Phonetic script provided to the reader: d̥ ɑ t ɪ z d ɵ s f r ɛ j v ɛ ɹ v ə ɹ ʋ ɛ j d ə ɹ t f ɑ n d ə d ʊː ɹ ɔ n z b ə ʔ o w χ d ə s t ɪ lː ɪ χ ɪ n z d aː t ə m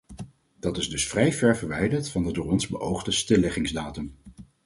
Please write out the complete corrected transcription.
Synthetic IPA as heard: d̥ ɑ t ɪ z d ɵ s f r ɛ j v ɛ ɹ v ə ɹ ʋ ɛ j d ə ɹ t f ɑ n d ə d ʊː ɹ ɔ n z b ə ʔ o w χ d ə s t ɪ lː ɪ χ ɪ ŋ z d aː t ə m